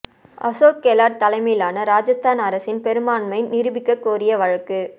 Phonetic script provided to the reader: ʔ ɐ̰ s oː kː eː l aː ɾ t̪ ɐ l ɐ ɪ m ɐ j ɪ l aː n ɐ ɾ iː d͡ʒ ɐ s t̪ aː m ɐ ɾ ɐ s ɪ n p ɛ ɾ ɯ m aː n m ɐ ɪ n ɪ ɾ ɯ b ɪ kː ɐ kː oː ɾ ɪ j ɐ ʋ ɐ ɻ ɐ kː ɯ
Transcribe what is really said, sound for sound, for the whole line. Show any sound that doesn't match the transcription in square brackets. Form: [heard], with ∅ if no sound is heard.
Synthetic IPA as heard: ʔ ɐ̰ s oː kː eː l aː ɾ t̪ ɐ l ɐ ɪ m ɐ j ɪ l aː n ɐ ɾ [aː] d͡ʒ ɐ s t̪ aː [n] ɐ ɾ ɐ s ɪ n p ɛ ɾ ɯ m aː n m ɐ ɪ n ɪ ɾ ɯ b ɪ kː ɐ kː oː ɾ ɪ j ɐ ʋ ɐ ɻ ɐ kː ɯ